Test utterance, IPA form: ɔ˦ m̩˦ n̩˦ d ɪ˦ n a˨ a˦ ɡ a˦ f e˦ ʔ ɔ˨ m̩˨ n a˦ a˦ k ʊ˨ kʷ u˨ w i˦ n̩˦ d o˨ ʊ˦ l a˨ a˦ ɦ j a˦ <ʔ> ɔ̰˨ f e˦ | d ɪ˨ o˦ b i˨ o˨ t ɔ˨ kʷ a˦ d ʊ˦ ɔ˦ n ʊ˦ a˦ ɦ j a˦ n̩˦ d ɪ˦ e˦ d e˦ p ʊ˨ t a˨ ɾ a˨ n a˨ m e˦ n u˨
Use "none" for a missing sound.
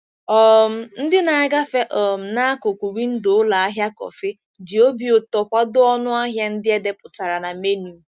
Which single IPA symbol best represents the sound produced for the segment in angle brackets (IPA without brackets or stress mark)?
k